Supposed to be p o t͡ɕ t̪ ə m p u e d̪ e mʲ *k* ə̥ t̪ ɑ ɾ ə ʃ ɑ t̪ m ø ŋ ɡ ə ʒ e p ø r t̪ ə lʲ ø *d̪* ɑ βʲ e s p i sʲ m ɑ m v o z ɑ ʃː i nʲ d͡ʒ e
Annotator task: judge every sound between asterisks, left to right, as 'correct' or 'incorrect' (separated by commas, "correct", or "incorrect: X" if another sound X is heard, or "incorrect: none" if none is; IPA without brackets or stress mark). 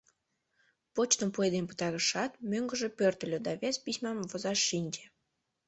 incorrect: p, correct